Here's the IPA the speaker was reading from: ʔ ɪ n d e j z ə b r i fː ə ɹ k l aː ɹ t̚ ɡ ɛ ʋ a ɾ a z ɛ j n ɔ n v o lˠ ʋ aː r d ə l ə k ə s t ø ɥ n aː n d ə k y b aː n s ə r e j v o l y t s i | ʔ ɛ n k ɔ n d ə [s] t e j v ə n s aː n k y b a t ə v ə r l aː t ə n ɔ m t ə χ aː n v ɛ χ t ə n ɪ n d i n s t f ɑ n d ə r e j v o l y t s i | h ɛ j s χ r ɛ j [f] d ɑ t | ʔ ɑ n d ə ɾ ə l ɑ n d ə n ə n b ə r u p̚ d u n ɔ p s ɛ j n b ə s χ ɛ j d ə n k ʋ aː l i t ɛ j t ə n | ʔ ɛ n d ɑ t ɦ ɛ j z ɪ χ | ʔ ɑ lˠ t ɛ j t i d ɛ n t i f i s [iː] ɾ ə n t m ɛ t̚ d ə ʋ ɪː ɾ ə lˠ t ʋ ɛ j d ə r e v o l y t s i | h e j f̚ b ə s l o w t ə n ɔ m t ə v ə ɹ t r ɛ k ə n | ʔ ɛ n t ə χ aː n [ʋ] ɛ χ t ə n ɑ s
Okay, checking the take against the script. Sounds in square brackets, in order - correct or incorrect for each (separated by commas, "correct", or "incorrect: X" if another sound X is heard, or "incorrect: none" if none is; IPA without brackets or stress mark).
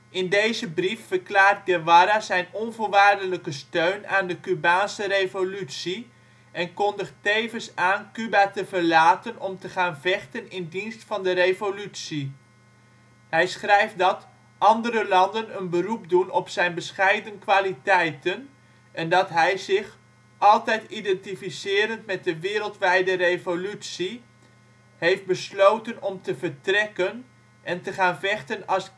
incorrect: χ, correct, incorrect: ɪː, incorrect: v